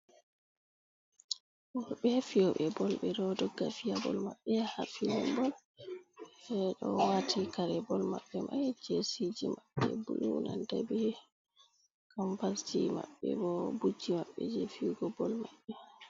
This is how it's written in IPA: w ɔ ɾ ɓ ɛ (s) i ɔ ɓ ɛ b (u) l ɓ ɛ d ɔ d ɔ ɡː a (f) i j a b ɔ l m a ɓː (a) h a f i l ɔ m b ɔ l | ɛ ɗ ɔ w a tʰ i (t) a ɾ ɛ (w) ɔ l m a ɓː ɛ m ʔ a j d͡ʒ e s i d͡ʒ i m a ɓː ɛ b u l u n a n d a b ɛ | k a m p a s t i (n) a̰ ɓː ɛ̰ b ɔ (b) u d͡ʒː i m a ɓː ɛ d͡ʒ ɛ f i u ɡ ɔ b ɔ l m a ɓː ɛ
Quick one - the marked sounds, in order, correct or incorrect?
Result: incorrect, incorrect, correct, incorrect, incorrect, incorrect, incorrect, correct

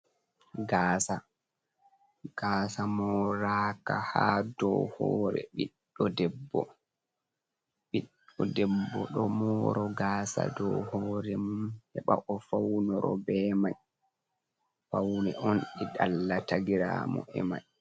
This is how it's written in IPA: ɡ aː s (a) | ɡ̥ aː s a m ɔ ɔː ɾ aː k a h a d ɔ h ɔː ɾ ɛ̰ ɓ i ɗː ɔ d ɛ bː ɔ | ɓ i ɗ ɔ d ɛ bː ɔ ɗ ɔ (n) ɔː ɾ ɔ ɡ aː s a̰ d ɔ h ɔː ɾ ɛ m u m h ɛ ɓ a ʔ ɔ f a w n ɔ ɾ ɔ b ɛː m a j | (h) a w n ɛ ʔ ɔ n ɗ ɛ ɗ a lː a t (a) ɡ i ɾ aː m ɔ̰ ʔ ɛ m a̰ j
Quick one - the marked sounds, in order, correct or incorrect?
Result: correct, incorrect, incorrect, correct

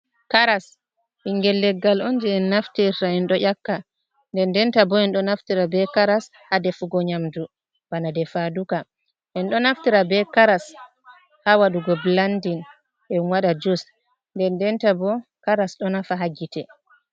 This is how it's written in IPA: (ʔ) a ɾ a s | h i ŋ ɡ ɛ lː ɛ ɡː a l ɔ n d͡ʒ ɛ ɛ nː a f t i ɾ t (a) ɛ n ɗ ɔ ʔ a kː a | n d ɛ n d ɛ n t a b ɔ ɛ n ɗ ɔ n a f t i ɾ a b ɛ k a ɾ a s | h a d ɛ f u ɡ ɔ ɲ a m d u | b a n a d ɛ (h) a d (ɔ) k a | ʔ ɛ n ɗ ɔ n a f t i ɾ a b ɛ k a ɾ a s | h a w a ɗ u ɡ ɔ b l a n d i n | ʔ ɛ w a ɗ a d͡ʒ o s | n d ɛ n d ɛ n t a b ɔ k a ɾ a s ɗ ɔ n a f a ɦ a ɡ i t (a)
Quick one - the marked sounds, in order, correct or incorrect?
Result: incorrect, correct, incorrect, incorrect, incorrect

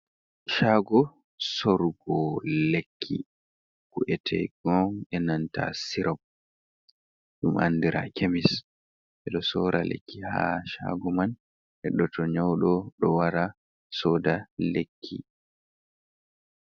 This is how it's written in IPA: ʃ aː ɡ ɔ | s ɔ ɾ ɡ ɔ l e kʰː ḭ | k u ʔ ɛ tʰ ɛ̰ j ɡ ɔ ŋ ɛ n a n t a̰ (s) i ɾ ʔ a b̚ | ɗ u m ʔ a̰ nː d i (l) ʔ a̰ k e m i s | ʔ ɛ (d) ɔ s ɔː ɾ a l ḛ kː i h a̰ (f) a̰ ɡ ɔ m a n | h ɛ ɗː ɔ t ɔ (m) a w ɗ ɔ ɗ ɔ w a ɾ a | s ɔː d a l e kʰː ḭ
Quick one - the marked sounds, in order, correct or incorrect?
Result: correct, incorrect, incorrect, incorrect, incorrect

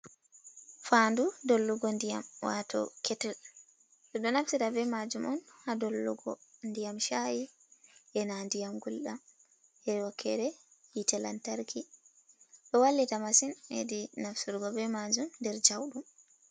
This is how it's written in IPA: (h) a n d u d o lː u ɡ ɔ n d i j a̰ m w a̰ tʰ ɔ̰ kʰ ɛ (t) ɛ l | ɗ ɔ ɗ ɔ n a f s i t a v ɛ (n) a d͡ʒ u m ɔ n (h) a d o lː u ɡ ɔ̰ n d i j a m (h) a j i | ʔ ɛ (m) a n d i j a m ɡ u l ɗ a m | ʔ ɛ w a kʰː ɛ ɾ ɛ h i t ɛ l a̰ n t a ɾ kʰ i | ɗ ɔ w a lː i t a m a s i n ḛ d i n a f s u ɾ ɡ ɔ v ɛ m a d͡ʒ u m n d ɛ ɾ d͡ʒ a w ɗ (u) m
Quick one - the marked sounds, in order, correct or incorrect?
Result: incorrect, correct, incorrect, correct, incorrect, incorrect, correct

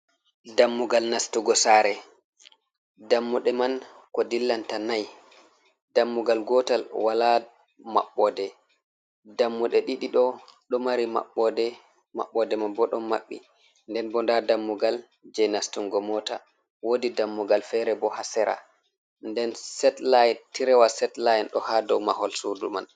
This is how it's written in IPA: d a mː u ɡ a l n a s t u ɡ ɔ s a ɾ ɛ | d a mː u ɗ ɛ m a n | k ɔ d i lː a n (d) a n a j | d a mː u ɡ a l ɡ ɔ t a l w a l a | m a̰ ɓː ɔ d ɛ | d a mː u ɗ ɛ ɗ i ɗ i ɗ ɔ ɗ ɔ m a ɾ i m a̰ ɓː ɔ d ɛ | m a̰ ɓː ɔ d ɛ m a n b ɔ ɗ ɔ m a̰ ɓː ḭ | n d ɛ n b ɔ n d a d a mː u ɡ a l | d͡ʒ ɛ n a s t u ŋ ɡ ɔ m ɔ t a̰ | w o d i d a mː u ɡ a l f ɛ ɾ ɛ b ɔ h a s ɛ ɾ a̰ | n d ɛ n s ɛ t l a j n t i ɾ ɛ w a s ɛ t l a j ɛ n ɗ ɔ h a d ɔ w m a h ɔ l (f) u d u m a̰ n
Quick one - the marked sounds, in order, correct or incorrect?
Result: incorrect, incorrect

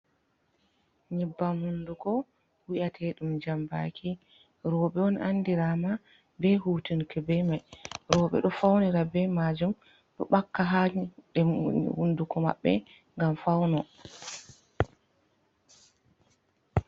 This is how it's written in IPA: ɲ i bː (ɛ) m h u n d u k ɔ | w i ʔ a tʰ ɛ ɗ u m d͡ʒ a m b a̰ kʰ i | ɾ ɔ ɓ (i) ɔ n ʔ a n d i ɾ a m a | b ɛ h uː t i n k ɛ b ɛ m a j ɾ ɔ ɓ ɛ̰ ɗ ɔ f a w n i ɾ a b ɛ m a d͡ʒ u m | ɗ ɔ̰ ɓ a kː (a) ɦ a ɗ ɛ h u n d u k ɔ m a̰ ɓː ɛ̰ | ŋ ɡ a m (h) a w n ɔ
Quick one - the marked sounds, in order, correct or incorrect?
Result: incorrect, incorrect, correct, incorrect

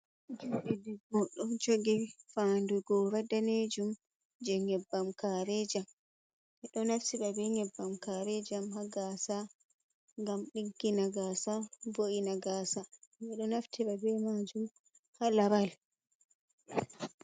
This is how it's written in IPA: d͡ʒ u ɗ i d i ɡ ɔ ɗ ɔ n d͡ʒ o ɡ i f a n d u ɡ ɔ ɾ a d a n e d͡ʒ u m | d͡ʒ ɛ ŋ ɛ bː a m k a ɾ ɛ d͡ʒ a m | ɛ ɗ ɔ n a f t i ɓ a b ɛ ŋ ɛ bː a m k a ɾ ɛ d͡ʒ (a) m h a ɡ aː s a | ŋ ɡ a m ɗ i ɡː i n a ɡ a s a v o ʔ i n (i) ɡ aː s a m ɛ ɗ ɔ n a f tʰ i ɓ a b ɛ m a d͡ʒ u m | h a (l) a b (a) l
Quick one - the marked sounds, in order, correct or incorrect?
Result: correct, incorrect, correct, correct

